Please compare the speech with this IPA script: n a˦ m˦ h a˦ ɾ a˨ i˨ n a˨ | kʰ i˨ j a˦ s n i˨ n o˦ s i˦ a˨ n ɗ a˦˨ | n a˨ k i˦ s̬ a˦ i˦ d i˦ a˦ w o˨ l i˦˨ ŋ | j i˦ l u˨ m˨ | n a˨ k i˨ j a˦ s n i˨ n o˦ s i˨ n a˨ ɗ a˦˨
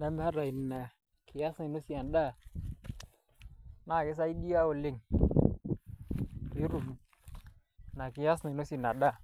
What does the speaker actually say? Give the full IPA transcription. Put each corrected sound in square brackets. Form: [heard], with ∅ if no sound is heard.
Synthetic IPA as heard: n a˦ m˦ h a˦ ɾ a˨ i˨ n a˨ | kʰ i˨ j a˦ s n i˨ n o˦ s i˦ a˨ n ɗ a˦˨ | n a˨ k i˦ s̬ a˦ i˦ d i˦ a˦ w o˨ l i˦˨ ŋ | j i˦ [ɾ] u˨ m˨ | n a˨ k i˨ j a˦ s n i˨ n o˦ s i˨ n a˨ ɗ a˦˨